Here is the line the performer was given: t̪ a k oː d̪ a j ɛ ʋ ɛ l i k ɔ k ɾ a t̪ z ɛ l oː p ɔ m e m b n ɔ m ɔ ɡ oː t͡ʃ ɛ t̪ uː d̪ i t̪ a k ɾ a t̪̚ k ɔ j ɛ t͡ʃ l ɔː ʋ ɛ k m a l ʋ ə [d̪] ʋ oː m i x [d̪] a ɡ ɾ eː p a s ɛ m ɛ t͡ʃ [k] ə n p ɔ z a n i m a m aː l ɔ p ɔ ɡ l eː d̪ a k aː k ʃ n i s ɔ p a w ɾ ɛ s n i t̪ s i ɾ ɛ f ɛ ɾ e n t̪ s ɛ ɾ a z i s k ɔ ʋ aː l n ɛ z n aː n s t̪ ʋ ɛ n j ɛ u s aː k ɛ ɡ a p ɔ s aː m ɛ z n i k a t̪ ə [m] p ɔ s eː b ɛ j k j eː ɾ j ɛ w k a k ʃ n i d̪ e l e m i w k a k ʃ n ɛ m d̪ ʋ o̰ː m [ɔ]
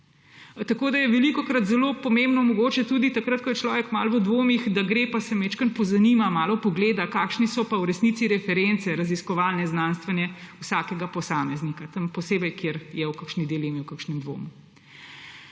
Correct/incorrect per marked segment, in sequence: correct, correct, correct, correct, incorrect: u

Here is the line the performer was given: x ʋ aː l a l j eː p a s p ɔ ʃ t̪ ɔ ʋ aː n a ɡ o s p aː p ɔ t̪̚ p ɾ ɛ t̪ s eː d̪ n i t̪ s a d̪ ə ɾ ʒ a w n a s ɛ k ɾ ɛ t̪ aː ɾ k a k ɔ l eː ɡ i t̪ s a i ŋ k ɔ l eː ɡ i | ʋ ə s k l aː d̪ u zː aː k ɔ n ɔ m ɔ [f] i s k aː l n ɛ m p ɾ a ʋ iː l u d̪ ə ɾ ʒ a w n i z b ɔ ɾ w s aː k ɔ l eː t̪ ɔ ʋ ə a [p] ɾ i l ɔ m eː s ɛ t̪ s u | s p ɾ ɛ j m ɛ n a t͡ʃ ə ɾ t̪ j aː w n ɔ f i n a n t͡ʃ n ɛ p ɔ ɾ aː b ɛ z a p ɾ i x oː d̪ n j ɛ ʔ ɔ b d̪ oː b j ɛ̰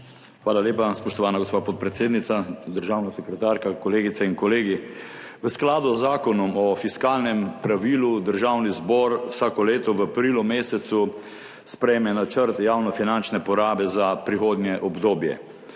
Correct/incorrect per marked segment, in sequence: correct, correct

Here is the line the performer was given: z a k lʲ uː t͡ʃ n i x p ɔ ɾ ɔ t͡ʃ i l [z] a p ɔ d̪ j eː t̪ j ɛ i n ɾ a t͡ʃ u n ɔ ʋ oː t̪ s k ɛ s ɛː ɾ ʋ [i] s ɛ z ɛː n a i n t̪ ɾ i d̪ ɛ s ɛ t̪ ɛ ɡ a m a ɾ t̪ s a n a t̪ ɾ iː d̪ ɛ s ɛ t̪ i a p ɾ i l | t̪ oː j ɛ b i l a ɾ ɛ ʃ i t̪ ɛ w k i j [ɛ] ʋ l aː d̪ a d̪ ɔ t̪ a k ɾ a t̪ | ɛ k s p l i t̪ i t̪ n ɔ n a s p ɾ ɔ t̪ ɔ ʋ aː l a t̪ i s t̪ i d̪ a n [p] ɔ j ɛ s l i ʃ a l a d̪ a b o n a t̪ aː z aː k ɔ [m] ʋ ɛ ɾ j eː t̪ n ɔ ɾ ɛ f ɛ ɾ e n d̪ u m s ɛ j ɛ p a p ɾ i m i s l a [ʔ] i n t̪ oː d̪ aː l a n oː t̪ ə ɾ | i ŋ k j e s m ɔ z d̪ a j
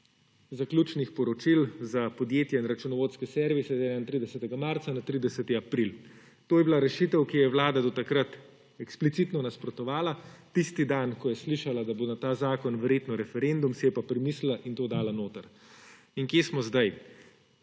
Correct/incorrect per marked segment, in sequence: correct, correct, correct, incorrect: k, incorrect: n, correct

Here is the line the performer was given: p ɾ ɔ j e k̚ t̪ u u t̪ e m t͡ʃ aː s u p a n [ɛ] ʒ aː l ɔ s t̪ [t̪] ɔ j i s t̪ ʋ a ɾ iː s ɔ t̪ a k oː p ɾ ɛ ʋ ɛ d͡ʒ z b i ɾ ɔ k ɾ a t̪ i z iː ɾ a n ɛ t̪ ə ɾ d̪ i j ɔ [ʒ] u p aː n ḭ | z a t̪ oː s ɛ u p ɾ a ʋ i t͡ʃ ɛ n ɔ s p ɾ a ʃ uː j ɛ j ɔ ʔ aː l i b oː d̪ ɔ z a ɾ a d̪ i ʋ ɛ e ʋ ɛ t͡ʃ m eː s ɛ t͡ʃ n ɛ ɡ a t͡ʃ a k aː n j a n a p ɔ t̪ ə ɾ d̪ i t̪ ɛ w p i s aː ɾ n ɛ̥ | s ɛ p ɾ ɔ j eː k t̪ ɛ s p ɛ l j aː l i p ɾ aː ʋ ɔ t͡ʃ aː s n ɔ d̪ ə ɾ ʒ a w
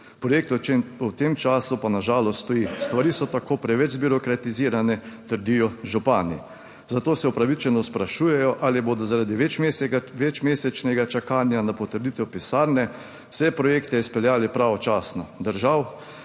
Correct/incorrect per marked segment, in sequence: incorrect: a, correct, correct

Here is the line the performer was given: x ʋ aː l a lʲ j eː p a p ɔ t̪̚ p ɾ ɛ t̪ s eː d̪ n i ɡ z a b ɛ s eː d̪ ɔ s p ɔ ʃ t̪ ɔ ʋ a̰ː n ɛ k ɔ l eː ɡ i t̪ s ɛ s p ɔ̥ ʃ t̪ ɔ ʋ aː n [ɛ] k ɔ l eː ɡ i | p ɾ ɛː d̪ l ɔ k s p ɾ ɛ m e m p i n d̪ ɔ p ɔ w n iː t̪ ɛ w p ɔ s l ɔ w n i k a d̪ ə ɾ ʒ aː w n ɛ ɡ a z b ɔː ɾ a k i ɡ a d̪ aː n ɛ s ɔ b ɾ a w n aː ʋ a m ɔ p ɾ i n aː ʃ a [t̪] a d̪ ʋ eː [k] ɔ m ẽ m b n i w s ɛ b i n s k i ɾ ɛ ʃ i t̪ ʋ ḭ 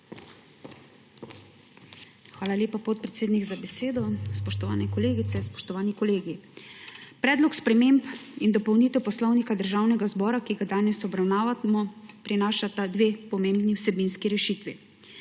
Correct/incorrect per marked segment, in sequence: incorrect: i, correct, incorrect: p

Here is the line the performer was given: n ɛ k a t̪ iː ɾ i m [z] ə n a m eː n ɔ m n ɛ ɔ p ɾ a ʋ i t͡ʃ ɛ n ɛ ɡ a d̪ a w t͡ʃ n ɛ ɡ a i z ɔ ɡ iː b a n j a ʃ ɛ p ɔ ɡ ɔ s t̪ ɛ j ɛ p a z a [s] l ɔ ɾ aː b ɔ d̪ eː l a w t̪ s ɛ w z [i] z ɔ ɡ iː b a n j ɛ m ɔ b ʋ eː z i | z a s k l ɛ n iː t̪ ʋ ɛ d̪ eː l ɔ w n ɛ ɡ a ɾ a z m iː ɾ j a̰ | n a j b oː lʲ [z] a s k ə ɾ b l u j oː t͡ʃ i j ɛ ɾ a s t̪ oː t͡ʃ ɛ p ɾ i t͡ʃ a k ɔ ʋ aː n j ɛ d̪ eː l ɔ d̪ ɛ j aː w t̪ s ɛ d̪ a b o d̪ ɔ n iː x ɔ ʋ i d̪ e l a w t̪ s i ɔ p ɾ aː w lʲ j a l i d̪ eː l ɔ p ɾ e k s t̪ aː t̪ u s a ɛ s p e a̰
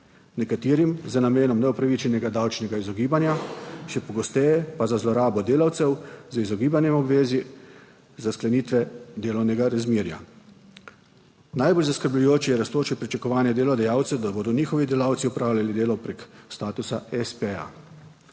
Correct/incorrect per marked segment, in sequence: correct, incorrect: z, correct, correct

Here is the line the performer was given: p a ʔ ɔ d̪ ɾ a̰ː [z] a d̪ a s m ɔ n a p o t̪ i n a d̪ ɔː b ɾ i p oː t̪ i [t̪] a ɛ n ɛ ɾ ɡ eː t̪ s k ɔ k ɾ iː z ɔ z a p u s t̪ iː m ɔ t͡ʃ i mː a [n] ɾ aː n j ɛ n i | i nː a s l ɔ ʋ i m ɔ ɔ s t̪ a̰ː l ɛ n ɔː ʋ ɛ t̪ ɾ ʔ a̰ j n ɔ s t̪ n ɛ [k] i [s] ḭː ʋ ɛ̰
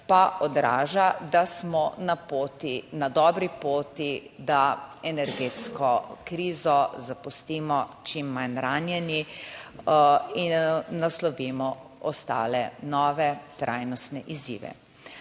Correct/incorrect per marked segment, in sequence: incorrect: ʒ, incorrect: d̪, correct, incorrect: ʔ, incorrect: z

